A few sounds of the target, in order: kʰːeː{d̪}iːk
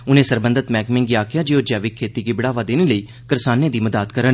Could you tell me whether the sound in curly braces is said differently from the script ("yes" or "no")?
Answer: yes